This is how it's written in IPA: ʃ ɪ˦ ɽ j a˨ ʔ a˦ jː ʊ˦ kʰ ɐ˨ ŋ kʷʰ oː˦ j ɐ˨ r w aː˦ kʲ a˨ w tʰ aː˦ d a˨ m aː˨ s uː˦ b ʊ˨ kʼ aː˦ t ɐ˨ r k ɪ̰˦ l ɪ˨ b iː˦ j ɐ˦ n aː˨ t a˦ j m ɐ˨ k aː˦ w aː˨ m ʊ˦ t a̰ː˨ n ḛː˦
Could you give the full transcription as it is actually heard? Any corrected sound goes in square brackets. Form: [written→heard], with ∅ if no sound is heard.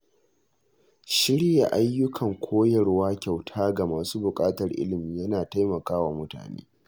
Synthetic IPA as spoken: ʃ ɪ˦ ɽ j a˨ ʔ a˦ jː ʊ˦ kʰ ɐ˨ ŋ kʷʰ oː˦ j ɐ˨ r w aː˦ kʲ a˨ w tʰ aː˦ [d→ɡ] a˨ m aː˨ s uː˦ b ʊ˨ kʼ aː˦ t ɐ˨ r [k→ʔ] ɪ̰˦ l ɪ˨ [b→m] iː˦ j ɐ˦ n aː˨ t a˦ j m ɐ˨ k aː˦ w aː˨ m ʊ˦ t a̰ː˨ n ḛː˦